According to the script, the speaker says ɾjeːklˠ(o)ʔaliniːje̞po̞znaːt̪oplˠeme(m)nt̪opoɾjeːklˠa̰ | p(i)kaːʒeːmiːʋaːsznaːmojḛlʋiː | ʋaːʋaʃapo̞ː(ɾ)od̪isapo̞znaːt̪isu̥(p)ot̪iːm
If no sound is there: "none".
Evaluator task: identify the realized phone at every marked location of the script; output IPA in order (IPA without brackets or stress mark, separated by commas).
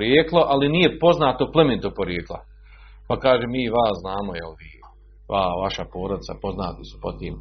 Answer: o, none, a, ɾ, p